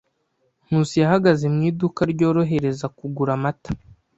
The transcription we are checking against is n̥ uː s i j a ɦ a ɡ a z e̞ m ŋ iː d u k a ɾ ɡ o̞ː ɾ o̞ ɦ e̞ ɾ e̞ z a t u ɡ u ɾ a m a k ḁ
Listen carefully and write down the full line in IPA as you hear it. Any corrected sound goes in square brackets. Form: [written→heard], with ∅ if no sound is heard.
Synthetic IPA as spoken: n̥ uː s i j a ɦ a ɡ a z e̞ m ŋ iː d u k a ɾ [ɡ→ɟ] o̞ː ɾ o̞ ɦ e̞ ɾ e̞ z a [t→k] u ɡ u ɾ a m a [k→t] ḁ